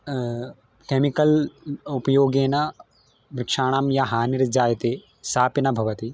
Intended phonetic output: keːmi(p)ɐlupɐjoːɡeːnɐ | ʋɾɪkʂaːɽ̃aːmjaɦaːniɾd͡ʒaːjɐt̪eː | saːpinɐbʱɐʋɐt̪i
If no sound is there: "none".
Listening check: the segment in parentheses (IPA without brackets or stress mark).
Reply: k